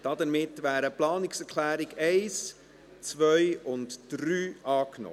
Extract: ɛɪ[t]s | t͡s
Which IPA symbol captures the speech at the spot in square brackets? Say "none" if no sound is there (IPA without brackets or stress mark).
none